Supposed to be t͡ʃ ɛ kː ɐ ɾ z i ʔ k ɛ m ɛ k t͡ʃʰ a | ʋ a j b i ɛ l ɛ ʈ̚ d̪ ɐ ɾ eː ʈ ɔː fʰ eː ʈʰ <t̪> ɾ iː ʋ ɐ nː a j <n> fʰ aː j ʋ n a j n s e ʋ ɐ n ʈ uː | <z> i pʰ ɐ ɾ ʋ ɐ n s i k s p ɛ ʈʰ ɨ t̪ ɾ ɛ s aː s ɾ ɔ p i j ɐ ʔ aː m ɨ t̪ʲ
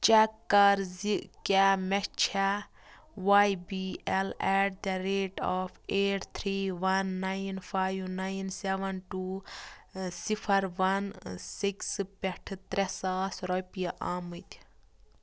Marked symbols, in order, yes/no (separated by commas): no, yes, no